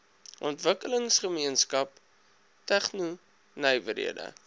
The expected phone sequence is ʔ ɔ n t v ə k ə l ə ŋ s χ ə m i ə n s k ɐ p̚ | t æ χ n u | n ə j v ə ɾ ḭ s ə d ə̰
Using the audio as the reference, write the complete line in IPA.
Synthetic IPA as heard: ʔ ɔ n t v ə k ə l ə ŋ s χ ə m i ə n s k ɐ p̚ | t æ χ n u | n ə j v ə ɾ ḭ ə d ə̰